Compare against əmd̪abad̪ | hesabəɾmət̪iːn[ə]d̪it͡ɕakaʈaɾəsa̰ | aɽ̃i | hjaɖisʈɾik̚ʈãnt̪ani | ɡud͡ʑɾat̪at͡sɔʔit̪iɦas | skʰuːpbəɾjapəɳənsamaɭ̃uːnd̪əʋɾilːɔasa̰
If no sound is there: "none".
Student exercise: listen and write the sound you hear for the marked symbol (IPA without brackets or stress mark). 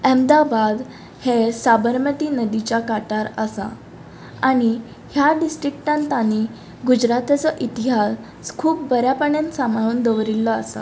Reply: ə